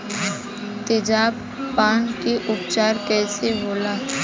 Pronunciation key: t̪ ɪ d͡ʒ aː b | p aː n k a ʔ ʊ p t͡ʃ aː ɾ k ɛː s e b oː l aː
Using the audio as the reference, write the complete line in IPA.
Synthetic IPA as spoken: t̪ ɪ d͡ʒ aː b | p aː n k e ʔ ʊ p t͡ʃ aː ɾ k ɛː s e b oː l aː